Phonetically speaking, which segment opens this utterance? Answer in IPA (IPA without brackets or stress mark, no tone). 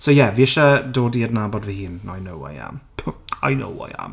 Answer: s